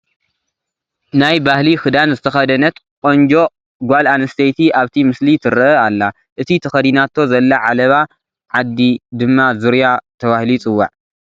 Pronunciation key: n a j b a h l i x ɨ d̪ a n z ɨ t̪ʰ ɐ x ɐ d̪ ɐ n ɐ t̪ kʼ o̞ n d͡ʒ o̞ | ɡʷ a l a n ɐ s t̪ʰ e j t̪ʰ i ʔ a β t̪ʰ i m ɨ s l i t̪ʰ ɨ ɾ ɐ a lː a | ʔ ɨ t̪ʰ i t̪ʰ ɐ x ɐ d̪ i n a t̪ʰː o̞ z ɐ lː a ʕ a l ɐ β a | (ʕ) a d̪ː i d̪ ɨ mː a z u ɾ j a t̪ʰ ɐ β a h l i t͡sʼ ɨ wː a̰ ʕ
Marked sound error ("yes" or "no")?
no